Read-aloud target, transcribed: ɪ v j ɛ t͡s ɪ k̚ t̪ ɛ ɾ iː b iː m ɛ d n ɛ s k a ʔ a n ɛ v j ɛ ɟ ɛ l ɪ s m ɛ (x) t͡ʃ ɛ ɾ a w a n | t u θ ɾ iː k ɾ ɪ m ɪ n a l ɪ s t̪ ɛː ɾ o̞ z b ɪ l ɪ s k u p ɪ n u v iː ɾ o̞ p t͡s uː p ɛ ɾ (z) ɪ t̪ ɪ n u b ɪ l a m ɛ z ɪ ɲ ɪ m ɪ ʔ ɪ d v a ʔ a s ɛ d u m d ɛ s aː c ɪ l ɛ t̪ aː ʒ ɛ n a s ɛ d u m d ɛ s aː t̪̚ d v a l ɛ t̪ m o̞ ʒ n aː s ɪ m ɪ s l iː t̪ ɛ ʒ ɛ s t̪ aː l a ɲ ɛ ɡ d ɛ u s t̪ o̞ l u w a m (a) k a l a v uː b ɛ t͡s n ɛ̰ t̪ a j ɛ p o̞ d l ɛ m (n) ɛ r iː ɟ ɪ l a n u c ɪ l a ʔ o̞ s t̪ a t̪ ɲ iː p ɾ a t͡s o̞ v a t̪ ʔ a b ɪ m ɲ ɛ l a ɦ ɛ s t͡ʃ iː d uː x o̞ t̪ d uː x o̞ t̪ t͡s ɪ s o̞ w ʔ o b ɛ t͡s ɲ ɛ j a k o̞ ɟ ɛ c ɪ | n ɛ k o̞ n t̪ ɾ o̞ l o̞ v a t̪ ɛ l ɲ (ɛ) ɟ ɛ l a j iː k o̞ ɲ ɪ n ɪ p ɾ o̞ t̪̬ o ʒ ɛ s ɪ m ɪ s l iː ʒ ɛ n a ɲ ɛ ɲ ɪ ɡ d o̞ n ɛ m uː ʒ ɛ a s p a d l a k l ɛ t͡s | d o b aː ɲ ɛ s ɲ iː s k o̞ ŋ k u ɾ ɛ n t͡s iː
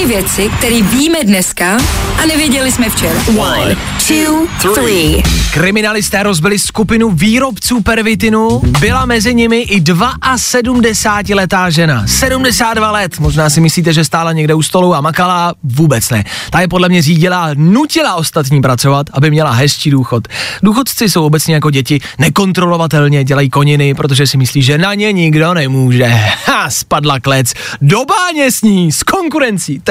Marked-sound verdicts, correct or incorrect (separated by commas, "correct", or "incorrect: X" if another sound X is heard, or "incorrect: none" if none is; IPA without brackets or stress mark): incorrect: f, incorrect: v, correct, incorrect: ɲ, correct